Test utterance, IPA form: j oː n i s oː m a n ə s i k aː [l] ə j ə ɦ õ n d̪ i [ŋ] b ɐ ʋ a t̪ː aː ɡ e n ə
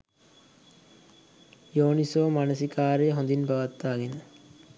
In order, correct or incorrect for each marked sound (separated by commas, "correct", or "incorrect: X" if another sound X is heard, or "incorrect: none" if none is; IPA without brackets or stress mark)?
incorrect: ɾ, incorrect: n